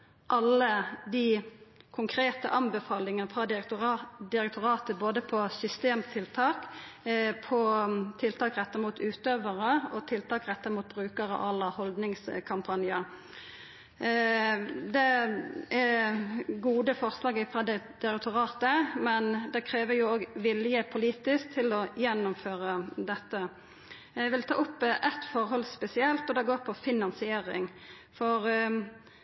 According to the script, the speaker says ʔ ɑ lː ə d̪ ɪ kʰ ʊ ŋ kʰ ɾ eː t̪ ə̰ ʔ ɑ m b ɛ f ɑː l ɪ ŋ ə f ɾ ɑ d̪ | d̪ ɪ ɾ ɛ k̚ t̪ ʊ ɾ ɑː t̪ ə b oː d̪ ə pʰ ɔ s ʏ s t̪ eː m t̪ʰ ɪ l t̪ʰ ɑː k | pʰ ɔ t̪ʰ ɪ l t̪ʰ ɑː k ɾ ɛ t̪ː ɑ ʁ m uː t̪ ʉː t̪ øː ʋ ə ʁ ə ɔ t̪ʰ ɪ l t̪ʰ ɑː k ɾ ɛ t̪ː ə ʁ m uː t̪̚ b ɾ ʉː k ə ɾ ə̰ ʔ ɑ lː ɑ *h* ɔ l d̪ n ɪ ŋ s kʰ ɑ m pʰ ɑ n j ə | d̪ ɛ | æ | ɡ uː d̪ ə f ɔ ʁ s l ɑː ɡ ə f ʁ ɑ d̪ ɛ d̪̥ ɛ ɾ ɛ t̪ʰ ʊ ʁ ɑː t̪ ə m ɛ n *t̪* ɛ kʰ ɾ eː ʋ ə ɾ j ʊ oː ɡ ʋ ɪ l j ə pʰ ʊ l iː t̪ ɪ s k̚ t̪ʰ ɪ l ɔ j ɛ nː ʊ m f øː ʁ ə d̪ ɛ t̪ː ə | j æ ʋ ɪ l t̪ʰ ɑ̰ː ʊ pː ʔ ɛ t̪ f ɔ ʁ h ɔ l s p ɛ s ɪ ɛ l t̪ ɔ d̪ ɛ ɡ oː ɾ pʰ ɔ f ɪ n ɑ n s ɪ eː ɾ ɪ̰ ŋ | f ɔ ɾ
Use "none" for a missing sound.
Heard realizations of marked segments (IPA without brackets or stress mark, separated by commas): h, d̪